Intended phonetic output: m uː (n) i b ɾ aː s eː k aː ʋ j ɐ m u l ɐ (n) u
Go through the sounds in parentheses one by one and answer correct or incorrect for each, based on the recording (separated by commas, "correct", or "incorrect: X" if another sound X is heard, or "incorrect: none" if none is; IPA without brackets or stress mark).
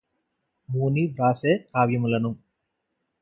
correct, correct